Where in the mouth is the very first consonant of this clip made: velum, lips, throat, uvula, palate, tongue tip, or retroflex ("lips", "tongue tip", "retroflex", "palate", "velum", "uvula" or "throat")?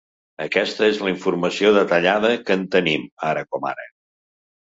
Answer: velum